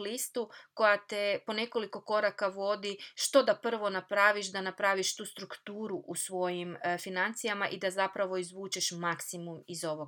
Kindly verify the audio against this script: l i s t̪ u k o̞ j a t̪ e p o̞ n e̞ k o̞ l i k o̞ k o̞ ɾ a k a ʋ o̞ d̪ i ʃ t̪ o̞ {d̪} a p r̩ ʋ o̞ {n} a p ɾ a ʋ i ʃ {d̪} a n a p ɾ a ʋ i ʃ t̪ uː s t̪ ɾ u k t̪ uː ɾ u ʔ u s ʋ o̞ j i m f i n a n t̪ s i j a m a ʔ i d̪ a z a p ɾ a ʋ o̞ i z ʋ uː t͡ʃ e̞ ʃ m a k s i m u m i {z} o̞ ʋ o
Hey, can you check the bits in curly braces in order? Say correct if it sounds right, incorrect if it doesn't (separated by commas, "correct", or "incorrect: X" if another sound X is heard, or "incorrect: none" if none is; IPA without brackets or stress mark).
correct, correct, correct, correct